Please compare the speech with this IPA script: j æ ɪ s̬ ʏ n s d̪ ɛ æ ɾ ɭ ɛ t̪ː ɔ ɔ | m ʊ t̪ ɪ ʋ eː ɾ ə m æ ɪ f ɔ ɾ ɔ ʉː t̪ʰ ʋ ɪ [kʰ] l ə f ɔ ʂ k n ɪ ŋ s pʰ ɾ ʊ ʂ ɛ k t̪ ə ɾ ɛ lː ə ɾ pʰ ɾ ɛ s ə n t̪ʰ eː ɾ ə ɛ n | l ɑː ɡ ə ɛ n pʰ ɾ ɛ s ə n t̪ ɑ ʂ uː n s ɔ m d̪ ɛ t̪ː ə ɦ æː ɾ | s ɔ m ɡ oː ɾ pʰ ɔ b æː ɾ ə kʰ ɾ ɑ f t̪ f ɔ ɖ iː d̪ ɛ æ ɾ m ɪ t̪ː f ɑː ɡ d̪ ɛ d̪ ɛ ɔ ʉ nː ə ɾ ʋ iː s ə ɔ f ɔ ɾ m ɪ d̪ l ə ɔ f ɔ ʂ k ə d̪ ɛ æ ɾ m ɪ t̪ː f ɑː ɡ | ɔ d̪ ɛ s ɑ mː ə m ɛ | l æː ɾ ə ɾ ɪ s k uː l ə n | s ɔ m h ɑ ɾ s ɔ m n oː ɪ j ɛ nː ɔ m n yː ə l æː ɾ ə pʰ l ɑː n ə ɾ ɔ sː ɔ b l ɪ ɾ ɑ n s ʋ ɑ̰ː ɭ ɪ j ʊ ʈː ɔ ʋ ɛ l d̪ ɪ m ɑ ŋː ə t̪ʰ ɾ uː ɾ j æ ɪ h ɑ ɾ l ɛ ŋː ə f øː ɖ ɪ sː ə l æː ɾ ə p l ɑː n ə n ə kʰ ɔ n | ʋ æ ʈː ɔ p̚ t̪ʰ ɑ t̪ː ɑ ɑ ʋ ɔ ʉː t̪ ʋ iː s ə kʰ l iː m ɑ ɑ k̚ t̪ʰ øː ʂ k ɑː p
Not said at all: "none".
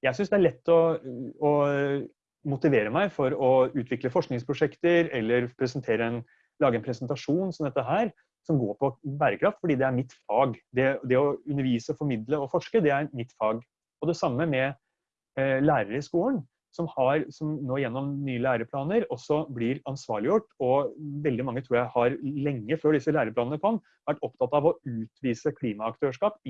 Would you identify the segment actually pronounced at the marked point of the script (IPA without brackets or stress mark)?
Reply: k